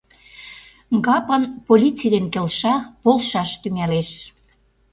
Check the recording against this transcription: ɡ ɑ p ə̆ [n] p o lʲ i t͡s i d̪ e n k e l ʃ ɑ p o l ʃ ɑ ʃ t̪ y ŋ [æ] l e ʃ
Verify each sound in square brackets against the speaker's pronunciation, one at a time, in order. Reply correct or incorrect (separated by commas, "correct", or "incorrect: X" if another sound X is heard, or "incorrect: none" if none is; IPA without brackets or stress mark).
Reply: correct, correct